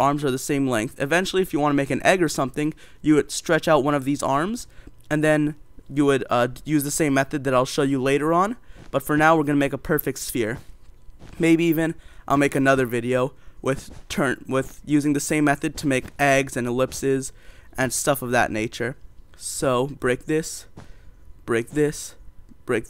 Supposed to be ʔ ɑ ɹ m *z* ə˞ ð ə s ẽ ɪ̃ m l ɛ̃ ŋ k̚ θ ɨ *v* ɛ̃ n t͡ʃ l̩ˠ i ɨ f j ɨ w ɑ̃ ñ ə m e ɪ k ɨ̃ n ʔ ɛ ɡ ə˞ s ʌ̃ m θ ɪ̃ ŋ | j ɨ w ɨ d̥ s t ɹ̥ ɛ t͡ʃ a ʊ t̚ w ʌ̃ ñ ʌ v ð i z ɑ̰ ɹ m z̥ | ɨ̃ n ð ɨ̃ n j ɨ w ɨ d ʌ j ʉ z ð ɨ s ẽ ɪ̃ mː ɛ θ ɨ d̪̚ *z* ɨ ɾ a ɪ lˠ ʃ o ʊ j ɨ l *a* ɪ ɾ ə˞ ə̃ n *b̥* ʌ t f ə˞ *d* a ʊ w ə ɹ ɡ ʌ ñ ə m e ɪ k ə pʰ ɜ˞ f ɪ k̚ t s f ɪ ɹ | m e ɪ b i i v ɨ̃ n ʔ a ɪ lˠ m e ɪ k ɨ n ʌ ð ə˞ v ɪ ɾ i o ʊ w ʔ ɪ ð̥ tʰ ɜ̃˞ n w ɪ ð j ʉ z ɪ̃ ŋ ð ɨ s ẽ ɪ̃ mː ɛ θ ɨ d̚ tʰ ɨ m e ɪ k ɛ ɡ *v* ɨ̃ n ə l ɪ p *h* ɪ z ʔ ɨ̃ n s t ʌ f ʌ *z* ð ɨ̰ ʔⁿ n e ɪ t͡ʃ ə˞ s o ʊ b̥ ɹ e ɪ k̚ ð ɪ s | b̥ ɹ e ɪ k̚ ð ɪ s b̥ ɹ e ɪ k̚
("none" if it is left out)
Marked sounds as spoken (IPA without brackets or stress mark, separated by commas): z, v, ð, e, b̥, n, z, s, v